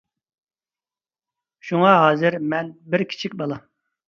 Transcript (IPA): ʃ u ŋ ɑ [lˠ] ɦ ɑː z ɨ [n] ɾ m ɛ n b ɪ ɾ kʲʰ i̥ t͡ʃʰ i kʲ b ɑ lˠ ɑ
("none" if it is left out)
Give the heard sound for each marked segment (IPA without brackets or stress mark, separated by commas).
none, none